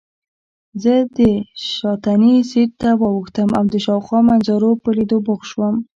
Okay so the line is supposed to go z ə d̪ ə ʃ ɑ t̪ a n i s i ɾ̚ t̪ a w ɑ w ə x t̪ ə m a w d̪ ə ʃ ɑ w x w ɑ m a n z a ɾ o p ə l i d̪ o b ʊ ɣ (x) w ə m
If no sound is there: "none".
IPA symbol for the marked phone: ʃ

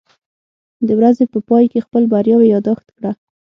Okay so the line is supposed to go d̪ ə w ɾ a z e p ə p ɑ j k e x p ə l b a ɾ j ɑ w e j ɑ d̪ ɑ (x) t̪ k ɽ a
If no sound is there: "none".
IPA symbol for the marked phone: x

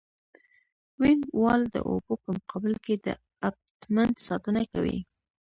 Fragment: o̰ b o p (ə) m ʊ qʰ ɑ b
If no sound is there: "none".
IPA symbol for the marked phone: ə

